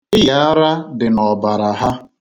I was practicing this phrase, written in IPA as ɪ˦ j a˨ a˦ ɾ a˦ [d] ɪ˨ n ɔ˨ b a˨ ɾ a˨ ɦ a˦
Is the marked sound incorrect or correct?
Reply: correct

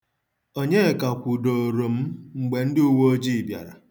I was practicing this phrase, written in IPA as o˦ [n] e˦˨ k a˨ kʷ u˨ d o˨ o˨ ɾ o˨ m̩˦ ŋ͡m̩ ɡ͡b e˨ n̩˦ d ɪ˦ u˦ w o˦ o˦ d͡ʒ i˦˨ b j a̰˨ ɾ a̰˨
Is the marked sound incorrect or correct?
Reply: incorrect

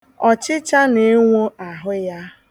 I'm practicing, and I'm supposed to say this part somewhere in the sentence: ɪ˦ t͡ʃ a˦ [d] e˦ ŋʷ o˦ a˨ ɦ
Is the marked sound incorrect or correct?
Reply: incorrect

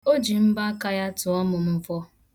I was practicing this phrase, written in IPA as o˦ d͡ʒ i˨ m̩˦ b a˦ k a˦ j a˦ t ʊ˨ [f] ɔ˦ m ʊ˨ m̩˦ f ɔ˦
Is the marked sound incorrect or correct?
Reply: incorrect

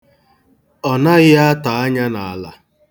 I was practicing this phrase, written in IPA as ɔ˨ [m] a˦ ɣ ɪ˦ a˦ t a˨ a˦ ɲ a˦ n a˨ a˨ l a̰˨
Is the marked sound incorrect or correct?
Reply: incorrect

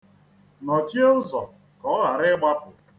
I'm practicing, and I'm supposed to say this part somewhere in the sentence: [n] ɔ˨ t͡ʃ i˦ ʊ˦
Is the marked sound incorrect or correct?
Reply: correct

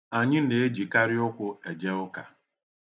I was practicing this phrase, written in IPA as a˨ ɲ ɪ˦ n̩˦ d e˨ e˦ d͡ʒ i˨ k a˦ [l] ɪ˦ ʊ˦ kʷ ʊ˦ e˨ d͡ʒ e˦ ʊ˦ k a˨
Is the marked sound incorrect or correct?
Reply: incorrect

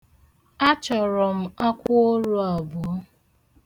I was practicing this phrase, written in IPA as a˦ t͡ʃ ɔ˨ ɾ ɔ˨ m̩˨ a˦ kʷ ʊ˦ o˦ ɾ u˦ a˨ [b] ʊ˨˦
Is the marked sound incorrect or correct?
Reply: correct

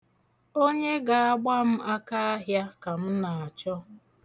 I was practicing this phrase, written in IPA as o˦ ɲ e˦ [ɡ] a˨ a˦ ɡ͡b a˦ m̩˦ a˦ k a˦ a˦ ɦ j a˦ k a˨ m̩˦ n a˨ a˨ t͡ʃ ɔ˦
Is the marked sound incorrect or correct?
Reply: correct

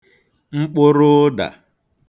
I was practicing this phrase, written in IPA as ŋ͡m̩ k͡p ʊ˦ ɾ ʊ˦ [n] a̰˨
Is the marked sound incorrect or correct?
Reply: incorrect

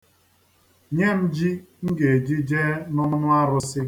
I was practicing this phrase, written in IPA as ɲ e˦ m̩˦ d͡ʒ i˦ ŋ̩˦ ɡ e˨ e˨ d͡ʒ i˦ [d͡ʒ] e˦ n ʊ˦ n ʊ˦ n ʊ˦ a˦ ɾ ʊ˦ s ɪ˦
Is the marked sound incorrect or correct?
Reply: correct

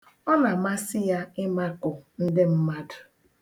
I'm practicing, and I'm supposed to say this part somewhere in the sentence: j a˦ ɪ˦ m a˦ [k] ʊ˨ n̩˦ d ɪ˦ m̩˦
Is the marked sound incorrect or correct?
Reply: correct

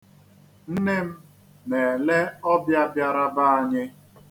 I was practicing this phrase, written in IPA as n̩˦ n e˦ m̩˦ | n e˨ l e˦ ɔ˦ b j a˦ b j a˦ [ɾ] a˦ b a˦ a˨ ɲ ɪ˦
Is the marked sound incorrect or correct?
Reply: correct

